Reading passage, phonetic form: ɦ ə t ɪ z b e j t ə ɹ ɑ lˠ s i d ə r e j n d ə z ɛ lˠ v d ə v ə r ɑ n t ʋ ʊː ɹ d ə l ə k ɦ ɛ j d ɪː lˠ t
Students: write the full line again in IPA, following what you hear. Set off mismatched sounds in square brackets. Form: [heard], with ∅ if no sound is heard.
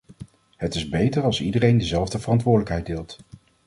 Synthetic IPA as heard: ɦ ə t ɪ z b e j t ə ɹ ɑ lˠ s i d ə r e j n d ə z ɛ lˠ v d ə v ə r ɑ n t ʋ ʊː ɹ d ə l ə k ɦ ɛ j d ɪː lˠ t

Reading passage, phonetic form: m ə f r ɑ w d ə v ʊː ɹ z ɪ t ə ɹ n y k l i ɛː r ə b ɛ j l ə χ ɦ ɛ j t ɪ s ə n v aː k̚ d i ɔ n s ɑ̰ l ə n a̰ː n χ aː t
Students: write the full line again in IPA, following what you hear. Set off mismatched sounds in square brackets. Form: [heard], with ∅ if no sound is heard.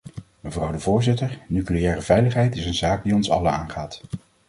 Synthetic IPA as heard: m ə [v] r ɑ w d ə v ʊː ɹ z ɪ t ə ɹ n y k l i ɛː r ə [v] ɛ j l ə χ ɦ ɛ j t ɪ s ə n [z] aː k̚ d i ɔ n s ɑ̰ l ə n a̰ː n χ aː t

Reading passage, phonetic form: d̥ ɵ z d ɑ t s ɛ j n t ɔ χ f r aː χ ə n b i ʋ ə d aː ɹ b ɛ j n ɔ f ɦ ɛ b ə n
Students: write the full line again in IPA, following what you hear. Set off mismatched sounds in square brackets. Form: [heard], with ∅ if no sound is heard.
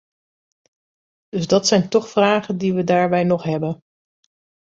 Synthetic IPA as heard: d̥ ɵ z d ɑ t s ɛ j n t ɔ χ f r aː χ ə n [d] i ʋ ə d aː ɹ b ɛ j n ɔ [χ] ɦ ɛ b ə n

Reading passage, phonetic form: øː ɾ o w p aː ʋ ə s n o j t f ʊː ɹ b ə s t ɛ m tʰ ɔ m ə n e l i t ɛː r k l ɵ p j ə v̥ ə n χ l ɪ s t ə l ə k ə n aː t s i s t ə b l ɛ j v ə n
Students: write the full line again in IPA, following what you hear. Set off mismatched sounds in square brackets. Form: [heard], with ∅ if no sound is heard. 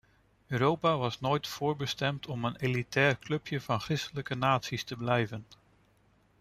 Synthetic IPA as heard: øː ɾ o w p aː ʋ [ɑ] s n o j t f ʊː ɹ b ə s t ɛ m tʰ ɔ m ə n e l i t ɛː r k l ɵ p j ə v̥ [ɑ] n χ [r] ɪ s t ə l ə k ə n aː t s i s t ə b l ɛ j v ə n

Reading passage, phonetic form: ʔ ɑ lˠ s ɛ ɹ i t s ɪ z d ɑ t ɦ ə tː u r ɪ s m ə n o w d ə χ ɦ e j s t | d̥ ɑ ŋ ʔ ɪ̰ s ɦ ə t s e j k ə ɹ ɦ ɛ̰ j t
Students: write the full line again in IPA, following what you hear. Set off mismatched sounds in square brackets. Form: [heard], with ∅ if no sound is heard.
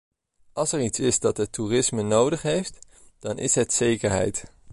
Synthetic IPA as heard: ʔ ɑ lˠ s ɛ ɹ i t s ɪ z d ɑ t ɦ ə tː u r ɪ s m ə n o w d ə χ ɦ e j [f] t | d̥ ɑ [n] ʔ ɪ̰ s ɦ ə t s e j k ə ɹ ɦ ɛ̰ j t

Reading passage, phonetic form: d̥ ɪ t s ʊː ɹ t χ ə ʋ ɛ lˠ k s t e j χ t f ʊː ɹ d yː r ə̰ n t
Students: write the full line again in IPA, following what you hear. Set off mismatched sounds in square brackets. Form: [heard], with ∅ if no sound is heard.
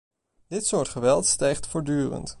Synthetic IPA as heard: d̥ ɪ t s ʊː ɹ t χ ə ʋ ɛ lˠ [t] s t [ɛ] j χ t f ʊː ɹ d yː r ə̰ n t

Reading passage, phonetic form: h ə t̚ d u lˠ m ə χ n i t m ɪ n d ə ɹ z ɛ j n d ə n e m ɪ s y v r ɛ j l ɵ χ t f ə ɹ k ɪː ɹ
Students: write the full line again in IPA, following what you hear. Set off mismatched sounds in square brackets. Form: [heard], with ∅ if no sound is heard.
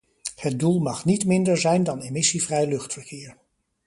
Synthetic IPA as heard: h ə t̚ d u lˠ m [ɑ] χ n i t m ɪ n d ə ɹ z ɛ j n d [ɑ] n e m ɪ s [i] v r ɛ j l ɵ χ t f ə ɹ k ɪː ɹ

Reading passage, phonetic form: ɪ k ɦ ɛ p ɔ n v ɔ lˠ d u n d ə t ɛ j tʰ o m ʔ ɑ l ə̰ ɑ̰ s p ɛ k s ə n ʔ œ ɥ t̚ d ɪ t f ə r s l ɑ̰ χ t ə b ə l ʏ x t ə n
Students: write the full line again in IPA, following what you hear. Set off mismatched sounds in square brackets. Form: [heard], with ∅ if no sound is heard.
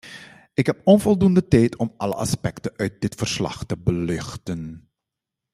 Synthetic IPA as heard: ɪ k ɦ ɛ p ɔ n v ɔ lˠ d u n d ə t ɛ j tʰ [ɔ] m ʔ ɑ l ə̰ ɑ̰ s p ɛ k [t] ə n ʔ œ ɥ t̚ d ɪ t f ə r s l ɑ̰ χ t ə b ə l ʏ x t ə n

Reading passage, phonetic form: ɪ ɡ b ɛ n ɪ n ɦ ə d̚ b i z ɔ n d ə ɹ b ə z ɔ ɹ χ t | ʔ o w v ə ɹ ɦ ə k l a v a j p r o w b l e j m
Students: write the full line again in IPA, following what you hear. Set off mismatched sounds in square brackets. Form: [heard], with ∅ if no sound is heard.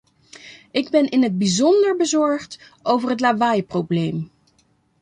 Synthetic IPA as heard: ɪ ɡ b ɛ n ɪ n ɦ ə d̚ b i z ɔ n d ə ɹ b ə z ɔ ɹ χ t | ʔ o w v ə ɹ ɦ ə [t] l a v a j p r o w b l e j m

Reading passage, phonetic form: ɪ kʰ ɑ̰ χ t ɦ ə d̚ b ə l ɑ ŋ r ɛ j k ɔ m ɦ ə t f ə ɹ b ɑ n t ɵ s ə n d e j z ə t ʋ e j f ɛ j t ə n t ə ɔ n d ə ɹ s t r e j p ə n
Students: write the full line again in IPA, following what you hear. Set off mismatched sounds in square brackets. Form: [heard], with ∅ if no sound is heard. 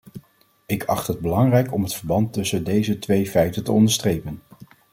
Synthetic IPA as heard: ɪ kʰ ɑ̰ χ t ɦ ə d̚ b ə l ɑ ŋ r ɛ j k ɔ m ɦ ə t f ə ɹ b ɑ n t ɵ s ə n d e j z ə t ʋ e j f ɛ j t ə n t ə ɔ n d ə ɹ s t r e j p ə n

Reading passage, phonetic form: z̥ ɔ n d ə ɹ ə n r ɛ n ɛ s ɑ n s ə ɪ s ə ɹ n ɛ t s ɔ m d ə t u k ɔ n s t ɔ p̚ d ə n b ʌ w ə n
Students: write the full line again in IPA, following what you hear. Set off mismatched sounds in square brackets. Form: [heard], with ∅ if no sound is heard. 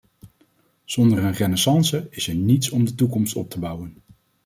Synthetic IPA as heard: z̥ ɔ n d ə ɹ ə n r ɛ n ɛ s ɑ n s ə ɪ s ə ɹ n [i] t s ɔ m d ə t u k ɔ [m] s t ɔ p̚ [t] ə [∅] b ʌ w ə n

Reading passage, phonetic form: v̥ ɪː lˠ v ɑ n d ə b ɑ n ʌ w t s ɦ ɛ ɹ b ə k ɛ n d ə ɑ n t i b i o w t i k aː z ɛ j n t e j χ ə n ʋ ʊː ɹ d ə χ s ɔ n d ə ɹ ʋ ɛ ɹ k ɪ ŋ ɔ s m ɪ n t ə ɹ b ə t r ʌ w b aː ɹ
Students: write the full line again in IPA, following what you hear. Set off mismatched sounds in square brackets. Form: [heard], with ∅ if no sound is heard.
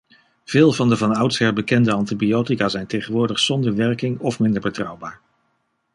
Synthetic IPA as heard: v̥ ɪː lˠ v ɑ n d ə [v] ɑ n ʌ w t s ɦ ɛ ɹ b ə k ɛ n d ə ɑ n t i b i o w t i k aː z ɛ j n t e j χ ə n ʋ ʊː ɹ d ə χ s ɔ n d ə ɹ ʋ ɛ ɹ k ɪ ŋ ɔ [f] m ɪ n [d] ə ɹ b ə t r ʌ w b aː ɹ

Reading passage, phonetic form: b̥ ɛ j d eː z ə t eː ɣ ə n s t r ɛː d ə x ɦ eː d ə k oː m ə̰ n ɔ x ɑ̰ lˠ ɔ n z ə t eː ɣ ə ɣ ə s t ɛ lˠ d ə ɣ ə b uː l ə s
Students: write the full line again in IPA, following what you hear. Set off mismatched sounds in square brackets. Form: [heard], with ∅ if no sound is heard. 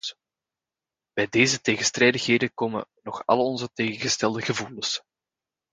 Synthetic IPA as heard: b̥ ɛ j d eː z ə t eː ɣ ə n s t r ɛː d ə x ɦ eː d ə k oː m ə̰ n ɔ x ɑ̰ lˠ ɔ n z ə t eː ɣ ə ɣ ə s t ɛ lˠ d ə ɣ ə [v] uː l ə s

